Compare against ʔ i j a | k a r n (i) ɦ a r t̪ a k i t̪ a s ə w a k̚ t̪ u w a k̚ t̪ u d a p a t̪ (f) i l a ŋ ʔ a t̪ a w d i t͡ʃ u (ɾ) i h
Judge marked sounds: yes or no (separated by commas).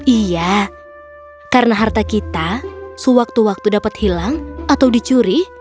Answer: no, no, yes